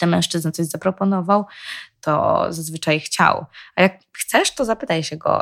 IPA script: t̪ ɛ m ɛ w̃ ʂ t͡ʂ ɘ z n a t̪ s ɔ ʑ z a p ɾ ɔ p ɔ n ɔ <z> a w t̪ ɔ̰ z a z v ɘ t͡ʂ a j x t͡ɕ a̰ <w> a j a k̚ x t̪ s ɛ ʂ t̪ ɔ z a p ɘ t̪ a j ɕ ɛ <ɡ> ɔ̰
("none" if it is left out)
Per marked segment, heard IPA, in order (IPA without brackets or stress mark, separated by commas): v, w, ɡ